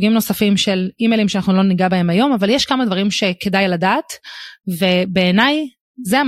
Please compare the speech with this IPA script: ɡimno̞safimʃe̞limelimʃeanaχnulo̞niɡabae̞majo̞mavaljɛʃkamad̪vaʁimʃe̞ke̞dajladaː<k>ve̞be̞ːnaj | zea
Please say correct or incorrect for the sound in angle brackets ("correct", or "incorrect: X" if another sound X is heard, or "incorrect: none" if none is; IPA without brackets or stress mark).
incorrect: t